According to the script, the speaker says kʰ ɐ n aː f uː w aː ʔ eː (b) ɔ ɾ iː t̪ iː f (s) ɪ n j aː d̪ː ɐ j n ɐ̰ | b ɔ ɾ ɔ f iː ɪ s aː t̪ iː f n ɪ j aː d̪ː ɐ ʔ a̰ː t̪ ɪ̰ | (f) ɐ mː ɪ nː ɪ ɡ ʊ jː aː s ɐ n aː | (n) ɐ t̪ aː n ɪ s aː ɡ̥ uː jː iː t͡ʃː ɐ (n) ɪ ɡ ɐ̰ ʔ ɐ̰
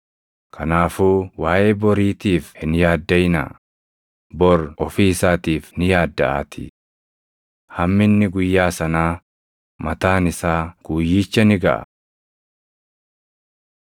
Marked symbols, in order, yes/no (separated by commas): yes, no, no, no, yes